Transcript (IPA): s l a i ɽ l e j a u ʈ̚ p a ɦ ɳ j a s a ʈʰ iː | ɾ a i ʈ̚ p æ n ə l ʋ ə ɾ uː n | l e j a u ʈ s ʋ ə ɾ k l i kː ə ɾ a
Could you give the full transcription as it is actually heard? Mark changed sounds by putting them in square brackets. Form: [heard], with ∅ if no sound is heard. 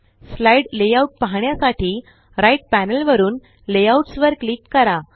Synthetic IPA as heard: s l a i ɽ l e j a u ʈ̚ p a ɦ ɳ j a s a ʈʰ iː | ɾ a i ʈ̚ p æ n ə l ʋ ə ɾ uː n | l e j a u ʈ s ʋ ə ɾ k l i kː ə ɾ a